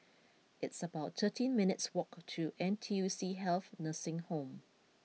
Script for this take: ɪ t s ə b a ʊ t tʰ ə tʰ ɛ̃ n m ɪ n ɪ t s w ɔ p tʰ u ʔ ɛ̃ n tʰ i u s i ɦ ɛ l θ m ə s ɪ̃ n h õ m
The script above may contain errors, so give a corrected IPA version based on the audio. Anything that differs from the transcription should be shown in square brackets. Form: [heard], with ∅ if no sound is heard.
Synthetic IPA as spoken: ɪ t s ə b a ʊ t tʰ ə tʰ [ĩ] n m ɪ n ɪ t s w ɔ [k] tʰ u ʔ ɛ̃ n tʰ i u s i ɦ ɛ l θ [n] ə s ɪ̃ [ŋ] h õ m